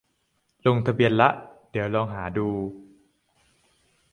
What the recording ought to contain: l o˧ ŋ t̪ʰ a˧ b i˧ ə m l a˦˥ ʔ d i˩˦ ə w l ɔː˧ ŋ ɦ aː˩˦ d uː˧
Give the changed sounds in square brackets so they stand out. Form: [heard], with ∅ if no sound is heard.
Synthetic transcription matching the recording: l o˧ ŋ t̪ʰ a˧ b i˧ ə [n] l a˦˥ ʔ d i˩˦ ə w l ɔː˧ ŋ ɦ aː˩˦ d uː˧